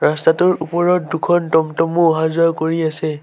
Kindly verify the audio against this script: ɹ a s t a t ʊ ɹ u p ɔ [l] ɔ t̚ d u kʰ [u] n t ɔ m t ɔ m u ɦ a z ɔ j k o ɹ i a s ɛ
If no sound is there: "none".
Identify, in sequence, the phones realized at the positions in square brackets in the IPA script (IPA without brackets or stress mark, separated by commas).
ɹ, ɔ